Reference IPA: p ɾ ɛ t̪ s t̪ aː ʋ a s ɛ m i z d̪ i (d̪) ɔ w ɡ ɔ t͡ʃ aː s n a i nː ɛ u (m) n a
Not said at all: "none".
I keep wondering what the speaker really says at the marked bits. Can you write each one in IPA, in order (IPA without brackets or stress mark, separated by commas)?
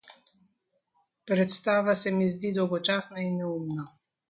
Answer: d̪, m